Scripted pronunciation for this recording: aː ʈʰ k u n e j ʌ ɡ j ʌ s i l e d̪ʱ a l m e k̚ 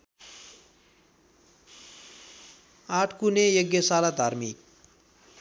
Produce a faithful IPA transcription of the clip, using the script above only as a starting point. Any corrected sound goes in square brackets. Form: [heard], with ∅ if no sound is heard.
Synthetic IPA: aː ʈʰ k u n e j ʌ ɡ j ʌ s [a] l [a] d̪ʱ a [ɾ] m [i] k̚